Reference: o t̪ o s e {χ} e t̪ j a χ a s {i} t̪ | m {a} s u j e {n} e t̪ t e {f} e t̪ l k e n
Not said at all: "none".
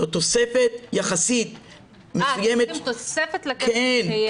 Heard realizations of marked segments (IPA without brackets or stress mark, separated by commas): f, i, e, m, f